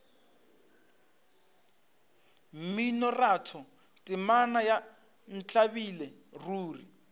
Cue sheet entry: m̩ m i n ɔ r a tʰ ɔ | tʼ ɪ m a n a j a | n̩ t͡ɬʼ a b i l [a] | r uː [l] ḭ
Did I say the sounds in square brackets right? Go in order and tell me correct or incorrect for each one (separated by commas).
incorrect, incorrect